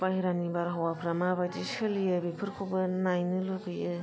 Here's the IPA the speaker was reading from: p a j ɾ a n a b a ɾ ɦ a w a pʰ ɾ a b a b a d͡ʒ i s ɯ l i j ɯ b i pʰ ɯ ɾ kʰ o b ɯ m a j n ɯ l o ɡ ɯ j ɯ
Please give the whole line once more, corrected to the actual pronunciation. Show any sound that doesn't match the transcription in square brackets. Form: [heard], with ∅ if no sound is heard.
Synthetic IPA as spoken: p a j ɾ a n [i] b a ɾ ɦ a w a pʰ ɾ a [m] a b a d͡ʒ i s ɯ l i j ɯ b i pʰ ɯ ɾ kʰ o b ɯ [n] a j n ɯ l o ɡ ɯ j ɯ